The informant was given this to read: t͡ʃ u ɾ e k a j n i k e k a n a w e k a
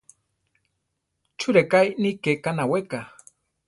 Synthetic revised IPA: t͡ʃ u ɾ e k a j n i k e k a n a w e k a